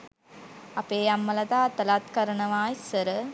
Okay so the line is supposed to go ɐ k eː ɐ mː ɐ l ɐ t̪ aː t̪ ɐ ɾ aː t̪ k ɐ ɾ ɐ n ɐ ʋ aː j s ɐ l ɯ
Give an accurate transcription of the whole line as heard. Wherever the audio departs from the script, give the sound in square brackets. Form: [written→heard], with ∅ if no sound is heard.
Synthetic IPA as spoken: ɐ [k→p] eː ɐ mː ɐ l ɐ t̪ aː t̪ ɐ [ɾ→l] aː t̪ k ɐ ɾ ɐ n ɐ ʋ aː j s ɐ [l→ɾ] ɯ